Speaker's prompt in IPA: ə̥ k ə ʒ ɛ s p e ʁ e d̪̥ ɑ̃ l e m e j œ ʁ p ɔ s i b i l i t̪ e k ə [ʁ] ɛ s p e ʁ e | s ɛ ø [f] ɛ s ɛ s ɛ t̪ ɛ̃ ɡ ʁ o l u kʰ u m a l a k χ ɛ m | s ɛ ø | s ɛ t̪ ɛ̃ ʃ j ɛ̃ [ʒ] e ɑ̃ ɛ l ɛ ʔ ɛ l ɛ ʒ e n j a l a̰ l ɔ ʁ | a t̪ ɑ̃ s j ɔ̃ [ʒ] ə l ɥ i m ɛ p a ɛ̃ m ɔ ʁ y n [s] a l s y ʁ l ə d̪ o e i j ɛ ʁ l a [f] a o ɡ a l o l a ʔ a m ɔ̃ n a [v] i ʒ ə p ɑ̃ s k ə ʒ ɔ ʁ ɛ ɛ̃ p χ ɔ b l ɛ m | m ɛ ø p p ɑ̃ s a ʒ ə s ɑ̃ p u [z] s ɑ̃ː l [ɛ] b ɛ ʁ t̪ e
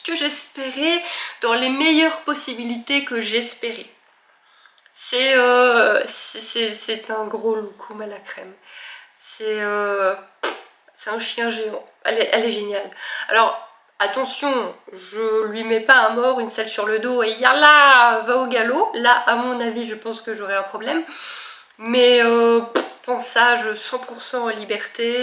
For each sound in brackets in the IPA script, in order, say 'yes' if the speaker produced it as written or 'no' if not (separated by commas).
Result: no, no, yes, yes, yes, no, yes, no, no